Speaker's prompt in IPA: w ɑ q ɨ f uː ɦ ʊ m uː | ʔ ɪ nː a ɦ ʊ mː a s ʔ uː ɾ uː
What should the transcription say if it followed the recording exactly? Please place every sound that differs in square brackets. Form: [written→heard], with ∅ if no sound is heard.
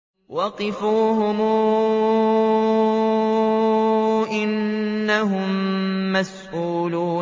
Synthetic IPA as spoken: w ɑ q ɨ f uː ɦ ʊ m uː | ʔ ɪ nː a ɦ ʊ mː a s ʔ uː [ɾ→l] uː